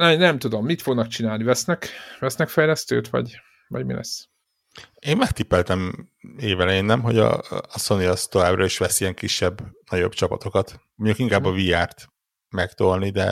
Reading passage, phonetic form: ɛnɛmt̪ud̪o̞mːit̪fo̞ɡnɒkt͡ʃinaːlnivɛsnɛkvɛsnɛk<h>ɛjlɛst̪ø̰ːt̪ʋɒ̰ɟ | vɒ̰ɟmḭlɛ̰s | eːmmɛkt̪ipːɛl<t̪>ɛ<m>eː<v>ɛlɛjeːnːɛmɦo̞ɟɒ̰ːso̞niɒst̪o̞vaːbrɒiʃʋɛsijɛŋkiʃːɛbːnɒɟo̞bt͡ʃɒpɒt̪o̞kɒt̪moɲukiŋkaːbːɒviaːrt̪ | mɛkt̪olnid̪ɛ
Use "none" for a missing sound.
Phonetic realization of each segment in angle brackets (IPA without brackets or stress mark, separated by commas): f, t̪, m, v